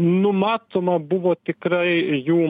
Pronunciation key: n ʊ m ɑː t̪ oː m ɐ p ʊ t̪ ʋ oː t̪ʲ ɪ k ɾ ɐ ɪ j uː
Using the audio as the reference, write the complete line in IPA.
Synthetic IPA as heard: n ʊ m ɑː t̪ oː m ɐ b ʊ ʋ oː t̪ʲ ɪ k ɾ ɐ ɪ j uː